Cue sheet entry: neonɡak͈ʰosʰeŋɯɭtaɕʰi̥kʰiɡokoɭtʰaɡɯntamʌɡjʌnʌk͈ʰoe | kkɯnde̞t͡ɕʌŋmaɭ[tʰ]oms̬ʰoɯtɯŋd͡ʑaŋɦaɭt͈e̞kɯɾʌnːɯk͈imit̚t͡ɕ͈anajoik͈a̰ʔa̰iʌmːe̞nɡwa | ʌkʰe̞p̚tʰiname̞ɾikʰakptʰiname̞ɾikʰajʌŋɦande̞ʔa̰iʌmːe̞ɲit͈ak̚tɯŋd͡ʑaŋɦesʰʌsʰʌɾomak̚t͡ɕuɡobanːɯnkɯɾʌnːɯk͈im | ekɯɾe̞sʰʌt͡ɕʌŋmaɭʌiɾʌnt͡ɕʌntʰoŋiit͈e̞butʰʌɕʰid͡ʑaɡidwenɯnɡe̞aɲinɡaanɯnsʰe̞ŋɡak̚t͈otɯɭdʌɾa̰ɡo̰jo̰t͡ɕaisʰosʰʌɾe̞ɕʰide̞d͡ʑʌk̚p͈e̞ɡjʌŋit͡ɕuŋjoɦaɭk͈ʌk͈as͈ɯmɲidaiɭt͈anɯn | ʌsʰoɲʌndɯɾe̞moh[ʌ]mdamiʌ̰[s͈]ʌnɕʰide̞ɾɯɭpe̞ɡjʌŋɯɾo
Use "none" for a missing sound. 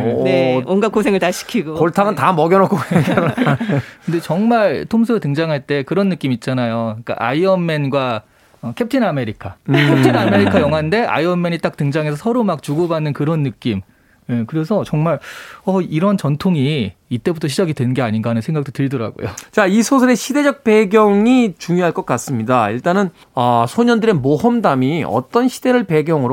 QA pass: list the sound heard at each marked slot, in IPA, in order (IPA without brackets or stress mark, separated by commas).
tʰ, ʌ, t͈